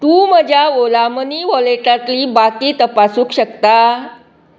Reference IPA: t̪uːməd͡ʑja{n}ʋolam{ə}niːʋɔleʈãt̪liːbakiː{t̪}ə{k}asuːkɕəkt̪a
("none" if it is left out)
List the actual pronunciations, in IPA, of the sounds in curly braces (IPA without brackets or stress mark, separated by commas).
none, ə, t̪, p